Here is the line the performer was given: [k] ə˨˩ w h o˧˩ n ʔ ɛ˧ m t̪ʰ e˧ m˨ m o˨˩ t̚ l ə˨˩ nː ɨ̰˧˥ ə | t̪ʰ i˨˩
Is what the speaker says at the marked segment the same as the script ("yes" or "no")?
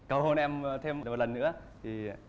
yes